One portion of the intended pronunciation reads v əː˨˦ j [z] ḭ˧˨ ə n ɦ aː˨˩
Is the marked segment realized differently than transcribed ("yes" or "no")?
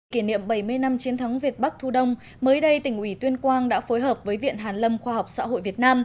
yes